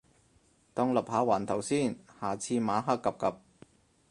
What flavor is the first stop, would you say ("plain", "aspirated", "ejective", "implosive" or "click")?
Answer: plain